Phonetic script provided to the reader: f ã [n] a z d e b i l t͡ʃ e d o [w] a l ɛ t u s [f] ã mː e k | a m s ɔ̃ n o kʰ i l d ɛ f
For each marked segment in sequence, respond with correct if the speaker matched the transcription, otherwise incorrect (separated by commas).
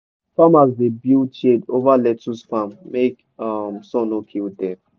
incorrect, incorrect, correct